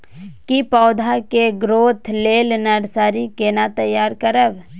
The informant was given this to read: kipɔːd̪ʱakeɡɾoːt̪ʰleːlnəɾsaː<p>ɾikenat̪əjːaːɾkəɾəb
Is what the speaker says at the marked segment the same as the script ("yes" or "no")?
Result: no